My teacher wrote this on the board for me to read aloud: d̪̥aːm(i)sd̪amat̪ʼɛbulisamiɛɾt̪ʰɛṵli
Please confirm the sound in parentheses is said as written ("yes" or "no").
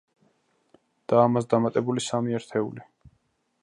no